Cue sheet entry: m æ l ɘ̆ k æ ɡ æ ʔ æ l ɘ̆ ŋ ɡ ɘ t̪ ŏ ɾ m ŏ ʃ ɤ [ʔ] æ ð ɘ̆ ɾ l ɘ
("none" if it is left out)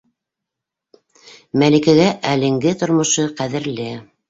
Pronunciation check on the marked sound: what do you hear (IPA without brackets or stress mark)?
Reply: q